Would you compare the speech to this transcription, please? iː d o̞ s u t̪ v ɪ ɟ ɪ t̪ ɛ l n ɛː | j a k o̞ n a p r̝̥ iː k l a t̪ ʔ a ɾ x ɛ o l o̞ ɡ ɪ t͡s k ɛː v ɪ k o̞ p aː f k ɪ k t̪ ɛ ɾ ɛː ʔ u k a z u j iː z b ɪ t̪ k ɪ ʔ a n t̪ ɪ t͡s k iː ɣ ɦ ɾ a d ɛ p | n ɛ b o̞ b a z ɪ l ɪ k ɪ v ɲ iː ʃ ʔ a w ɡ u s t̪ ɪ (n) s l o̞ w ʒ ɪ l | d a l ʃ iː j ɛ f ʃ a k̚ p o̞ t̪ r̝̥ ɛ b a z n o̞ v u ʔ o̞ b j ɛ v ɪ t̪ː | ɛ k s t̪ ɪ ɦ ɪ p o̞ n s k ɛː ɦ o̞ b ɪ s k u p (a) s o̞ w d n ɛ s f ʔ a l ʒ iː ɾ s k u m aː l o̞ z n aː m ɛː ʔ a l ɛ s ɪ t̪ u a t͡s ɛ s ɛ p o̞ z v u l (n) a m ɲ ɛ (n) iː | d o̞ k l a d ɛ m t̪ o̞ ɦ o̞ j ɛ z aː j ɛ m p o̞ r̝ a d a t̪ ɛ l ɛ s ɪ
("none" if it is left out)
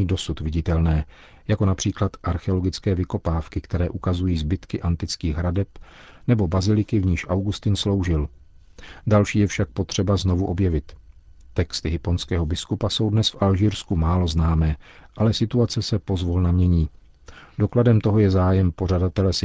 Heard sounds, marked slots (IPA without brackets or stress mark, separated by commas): n, a, n, ɲ